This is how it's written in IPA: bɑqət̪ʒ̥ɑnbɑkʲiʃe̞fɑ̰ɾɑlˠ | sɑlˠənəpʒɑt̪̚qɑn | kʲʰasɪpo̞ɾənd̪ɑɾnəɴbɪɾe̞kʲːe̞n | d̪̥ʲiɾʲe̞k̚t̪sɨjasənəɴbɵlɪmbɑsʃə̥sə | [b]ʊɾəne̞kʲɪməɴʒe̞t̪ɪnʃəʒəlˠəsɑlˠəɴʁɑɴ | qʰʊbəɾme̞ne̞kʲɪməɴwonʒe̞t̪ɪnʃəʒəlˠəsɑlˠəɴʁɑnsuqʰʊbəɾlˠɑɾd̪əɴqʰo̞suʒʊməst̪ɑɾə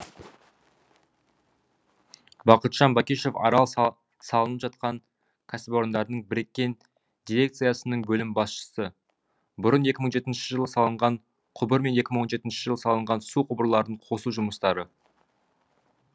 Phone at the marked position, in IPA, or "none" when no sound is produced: b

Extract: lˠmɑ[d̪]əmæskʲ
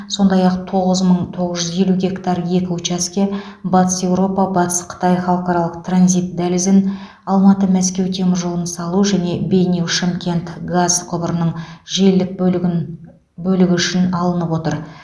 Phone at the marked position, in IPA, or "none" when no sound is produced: t̪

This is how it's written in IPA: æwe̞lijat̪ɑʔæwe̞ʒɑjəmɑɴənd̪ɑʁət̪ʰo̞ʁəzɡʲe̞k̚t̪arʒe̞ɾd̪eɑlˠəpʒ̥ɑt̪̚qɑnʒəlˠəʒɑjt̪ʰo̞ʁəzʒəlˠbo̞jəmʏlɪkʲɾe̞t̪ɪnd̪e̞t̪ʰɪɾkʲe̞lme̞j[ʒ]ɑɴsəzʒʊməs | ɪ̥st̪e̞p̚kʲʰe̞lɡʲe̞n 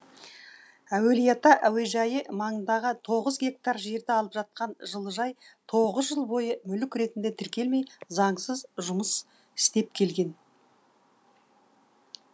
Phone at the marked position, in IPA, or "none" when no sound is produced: z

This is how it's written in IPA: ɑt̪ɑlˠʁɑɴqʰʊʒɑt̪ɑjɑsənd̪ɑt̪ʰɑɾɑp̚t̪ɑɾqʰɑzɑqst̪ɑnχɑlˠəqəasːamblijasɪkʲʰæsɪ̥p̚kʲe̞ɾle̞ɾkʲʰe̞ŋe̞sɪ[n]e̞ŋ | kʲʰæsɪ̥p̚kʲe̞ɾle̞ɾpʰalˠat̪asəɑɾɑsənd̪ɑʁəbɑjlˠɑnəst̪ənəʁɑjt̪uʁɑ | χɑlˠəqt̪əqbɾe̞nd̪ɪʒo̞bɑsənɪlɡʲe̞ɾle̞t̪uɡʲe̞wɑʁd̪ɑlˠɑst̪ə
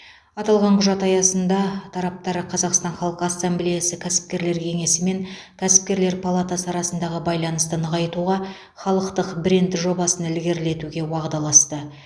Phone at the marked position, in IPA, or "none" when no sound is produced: m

